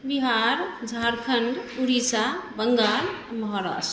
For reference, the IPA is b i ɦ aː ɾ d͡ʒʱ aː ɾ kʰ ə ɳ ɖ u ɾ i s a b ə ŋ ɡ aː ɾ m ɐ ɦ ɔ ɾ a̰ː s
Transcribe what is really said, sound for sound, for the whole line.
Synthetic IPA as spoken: b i ɦ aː ɾ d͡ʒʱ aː ɾ kʰ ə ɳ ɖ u ɾ i s a b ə ŋ ɡ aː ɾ m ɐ ɦ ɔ ɾ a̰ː s